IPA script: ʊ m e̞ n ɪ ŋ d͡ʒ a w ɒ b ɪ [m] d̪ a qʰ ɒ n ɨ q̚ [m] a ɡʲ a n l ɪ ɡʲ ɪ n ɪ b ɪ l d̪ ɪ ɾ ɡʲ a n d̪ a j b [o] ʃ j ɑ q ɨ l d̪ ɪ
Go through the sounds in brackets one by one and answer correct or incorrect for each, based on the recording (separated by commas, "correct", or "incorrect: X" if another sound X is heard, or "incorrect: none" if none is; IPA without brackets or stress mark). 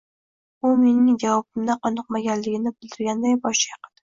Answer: correct, correct, incorrect: ɒ